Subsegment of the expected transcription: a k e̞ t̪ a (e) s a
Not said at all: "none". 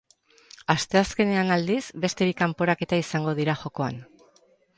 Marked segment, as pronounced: i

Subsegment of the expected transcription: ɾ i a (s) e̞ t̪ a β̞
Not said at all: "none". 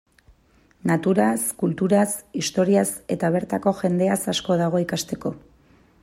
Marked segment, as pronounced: s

